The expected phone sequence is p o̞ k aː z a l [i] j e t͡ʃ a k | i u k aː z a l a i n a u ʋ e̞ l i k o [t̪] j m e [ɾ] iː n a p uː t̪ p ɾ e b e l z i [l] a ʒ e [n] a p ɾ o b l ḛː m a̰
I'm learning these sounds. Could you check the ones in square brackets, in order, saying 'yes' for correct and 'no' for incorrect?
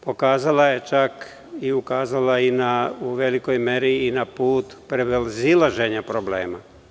no, no, yes, yes, no

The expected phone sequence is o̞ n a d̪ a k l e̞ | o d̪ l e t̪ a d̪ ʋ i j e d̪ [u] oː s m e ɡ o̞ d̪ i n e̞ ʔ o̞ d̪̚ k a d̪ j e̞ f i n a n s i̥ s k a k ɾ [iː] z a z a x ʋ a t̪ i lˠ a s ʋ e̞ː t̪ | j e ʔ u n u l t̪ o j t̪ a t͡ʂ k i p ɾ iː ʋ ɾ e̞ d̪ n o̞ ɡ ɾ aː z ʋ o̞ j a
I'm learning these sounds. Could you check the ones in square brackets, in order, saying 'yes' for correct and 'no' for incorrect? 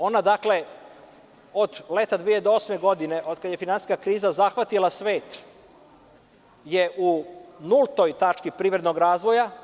no, yes

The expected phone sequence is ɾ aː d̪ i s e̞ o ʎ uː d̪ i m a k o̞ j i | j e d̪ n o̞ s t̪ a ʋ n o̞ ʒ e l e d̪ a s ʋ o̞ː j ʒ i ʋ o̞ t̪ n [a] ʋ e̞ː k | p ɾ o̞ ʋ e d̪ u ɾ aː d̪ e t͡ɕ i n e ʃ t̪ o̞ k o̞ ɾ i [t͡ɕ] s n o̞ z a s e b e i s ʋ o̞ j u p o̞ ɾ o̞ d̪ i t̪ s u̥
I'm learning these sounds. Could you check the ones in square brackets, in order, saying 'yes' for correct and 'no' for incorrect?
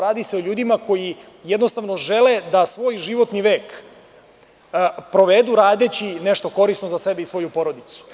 no, no

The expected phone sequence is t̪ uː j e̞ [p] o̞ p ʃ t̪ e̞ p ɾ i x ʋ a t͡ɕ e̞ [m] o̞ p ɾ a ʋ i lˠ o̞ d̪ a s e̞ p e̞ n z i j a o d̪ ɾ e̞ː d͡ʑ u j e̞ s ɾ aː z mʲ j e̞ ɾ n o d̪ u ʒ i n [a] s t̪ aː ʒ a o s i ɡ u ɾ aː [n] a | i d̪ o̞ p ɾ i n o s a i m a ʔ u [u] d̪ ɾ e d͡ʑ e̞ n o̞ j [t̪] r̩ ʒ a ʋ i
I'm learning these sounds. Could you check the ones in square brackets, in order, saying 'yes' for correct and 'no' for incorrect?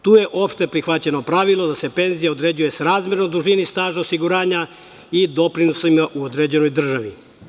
no, no, no, no, no, no

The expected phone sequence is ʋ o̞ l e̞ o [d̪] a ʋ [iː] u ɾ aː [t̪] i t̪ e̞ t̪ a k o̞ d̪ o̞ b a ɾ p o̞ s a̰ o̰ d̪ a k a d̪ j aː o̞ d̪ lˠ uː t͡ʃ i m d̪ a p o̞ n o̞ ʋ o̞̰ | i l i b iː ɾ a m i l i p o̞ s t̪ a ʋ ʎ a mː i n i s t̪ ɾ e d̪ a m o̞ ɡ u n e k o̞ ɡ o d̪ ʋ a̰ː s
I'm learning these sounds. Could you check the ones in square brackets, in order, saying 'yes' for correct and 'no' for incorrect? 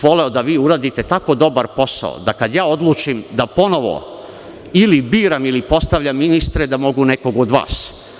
yes, yes, no

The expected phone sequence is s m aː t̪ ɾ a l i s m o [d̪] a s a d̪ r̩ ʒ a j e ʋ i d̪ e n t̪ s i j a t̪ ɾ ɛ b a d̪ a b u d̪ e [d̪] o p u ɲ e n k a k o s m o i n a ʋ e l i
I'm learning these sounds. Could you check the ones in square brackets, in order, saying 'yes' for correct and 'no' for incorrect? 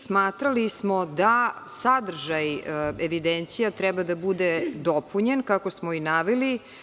yes, yes

